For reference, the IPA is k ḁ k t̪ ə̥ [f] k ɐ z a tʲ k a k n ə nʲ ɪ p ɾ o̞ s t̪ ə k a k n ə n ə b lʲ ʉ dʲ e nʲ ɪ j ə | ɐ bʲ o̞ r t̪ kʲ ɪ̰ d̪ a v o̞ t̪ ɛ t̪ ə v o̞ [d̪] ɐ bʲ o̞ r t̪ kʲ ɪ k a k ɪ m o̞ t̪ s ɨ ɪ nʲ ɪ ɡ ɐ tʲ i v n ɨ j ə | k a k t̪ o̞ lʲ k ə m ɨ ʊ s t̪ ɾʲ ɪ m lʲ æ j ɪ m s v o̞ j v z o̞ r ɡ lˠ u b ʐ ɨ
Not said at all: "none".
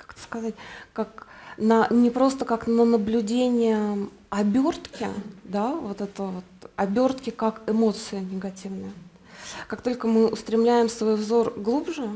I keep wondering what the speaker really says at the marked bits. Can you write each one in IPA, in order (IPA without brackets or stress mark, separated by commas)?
s, t̪